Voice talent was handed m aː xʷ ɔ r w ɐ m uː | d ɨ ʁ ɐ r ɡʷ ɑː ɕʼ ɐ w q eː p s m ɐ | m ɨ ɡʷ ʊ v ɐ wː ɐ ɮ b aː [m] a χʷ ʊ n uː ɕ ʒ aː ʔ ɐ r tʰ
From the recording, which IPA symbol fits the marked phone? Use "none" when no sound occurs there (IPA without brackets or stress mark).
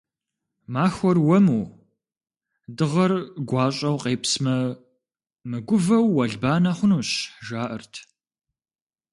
n